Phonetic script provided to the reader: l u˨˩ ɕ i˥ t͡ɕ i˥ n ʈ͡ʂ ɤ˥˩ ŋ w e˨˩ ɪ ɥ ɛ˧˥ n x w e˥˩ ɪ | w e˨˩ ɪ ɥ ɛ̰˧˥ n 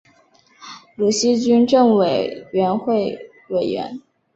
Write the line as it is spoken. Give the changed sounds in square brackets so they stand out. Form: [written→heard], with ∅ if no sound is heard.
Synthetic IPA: l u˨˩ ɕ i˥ t͡ɕ [i˥→y˥] n ʈ͡ʂ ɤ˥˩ ŋ w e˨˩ ɪ ɥ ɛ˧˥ n x w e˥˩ ɪ | w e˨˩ ɪ ɥ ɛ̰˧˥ n